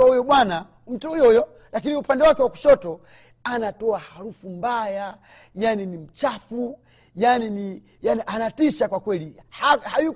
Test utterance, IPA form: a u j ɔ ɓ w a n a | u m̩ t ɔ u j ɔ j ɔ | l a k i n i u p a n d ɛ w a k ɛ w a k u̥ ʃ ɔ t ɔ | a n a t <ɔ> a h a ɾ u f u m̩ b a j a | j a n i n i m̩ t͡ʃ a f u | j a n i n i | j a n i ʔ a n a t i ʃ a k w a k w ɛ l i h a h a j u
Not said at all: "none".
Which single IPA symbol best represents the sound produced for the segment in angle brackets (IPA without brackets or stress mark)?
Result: ɔ